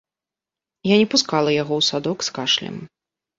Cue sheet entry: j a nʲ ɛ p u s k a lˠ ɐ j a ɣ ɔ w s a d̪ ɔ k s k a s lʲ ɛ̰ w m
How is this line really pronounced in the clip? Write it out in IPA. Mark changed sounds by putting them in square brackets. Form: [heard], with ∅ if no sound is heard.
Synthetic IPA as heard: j a nʲ ɛ p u s k a lˠ ɐ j a ɣ ɔ w s a d̪ ɔ k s k a [ʂ] lʲ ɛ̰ [∅] m

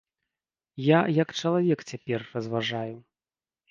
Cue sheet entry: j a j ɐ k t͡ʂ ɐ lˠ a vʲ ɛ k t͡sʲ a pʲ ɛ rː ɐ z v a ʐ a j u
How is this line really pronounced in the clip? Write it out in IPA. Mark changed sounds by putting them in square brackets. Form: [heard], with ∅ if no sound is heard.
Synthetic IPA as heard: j a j ɐ k t͡ʂ ɐ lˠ a vʲ ɛ k t͡sʲ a pʲ ɛ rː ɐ z v a ʐ a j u

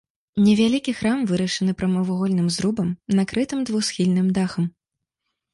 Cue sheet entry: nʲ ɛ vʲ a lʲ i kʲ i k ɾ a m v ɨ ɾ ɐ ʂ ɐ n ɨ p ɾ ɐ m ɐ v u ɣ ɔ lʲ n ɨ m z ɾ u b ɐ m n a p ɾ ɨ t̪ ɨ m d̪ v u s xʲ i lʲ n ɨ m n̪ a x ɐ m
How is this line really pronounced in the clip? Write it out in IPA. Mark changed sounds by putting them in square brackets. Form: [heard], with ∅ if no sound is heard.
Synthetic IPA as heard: nʲ ɛ vʲ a lʲ i kʲ i [x] ɾ a m v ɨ ɾ ɐ ʂ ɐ n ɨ p ɾ ɐ m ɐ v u ɣ ɔ lʲ n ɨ m z ɾ u b ɐ m n a [k] ɾ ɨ t̪ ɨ m d̪ v u s xʲ i lʲ n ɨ m [d̪] a x ɐ m

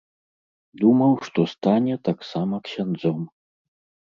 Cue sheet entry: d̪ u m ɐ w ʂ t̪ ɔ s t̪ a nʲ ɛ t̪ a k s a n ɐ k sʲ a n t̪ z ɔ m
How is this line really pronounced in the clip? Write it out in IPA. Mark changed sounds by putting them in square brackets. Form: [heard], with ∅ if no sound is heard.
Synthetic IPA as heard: d̪ u m ɐ w ʂ t̪ ɔ s t̪ a nʲ ɛ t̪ a k s a [m] ɐ k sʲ a n [d̪] z ɔ m

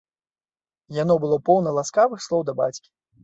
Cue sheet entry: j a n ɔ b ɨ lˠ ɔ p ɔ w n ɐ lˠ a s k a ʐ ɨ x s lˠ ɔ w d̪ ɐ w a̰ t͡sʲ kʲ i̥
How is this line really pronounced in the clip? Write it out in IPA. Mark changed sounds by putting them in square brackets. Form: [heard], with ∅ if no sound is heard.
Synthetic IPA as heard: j a n ɔ b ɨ lˠ ɔ p ɔ w n ɐ lˠ a s k a [v] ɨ x s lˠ ɔ w d̪ ɐ [b] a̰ t͡sʲ kʲ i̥

